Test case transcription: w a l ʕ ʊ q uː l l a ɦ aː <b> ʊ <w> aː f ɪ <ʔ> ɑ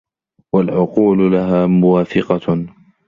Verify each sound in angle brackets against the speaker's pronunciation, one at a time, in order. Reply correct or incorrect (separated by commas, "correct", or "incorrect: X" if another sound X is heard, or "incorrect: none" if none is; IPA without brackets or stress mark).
incorrect: m, correct, incorrect: q